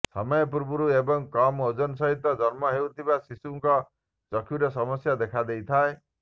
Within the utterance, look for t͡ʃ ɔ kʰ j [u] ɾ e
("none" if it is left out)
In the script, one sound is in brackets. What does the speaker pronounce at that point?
u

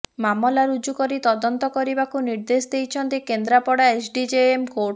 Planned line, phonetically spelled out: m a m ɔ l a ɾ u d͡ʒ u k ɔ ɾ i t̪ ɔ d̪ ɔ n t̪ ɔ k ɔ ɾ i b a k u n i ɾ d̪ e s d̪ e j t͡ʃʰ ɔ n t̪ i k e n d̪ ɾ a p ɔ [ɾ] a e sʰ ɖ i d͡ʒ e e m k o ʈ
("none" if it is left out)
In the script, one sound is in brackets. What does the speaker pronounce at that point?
ɽ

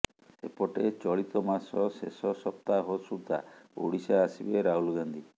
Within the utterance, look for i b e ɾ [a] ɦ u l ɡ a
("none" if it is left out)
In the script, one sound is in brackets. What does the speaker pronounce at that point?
a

